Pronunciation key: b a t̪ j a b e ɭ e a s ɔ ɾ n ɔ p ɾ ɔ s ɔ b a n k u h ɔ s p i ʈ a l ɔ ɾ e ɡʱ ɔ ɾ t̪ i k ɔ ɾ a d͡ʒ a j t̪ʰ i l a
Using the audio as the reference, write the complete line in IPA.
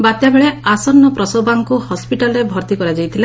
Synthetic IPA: b a t̪ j a b e ɭ e a s ɔ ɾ n ɔ p ɾ ɔ s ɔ b a ŋ k u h ɔ s p i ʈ a l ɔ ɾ e bʱ ɔ ɾ t̪ i k ɔ ɾ a d͡ʒ a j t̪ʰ i l a